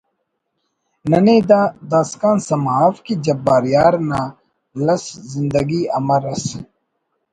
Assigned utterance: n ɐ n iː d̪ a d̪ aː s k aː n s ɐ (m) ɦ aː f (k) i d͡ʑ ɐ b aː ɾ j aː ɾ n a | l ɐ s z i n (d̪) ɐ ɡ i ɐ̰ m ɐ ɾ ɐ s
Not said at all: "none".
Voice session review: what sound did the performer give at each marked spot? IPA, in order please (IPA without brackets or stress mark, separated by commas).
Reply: m, k, d̪